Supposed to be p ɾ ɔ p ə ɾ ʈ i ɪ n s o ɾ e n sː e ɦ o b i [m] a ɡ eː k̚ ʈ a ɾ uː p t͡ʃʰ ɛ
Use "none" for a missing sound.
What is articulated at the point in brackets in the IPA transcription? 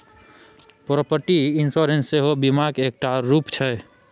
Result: m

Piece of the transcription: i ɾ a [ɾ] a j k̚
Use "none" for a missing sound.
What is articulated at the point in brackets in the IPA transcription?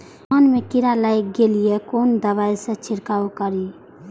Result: l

